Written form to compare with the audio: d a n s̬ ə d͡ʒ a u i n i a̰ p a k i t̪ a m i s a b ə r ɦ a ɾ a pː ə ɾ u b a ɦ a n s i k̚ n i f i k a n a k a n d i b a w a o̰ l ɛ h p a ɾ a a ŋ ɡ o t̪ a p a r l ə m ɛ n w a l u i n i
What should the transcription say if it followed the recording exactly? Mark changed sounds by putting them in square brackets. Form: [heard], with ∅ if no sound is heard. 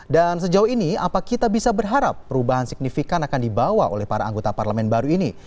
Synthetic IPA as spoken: d a n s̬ ə d͡ʒ a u i n i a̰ p a k i t̪ a [b] i s a b ə r ɦ a ɾ a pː ə ɾ u b a ɦ a n s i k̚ n i f i k a n a k a n d i b a w a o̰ l ɛ h p a ɾ a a ŋ ɡ o t̪ a p a r l ə m ɛ n [b] a [ɾ] u i n i